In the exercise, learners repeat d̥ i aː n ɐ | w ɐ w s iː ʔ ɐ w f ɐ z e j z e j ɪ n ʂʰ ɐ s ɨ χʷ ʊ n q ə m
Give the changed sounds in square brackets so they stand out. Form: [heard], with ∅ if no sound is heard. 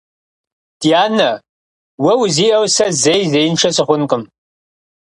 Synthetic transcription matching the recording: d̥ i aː n ɐ | w ɐ w [z] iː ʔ ɐ w [s] ɐ z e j z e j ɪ n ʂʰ ɐ s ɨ χʷ ʊ n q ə m